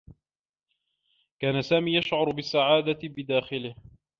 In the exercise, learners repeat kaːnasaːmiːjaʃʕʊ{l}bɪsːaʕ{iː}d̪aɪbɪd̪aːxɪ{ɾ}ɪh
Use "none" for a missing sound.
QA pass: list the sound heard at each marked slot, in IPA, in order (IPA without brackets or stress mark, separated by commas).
ɾ, aː, l